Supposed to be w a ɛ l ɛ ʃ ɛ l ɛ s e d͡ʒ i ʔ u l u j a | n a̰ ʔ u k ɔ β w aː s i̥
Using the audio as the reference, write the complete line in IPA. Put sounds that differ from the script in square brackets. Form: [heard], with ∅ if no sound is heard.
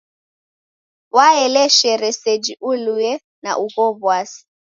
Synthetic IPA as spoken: w a ɛ l ɛ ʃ ɛ [ɾ] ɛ s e d͡ʒ i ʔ u l u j [ɛ] | n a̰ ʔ u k ɔ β w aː s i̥